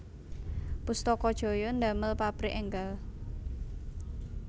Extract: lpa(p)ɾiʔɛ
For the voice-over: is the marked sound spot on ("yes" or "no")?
yes